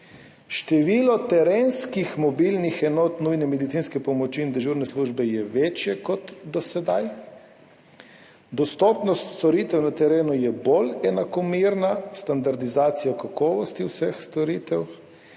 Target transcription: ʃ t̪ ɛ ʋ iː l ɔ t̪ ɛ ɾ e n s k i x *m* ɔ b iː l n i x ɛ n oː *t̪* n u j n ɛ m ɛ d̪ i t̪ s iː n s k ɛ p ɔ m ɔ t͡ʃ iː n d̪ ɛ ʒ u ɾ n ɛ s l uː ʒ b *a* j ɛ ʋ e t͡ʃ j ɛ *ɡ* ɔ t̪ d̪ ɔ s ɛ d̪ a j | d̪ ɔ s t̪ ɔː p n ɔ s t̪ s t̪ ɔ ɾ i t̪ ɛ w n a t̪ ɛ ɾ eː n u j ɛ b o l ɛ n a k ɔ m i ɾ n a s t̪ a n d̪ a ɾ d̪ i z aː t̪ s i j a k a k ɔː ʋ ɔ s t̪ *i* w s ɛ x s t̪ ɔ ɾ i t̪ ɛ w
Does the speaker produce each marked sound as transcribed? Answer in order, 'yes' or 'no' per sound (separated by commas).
yes, yes, no, no, yes